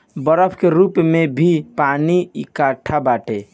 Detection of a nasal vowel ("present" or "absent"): absent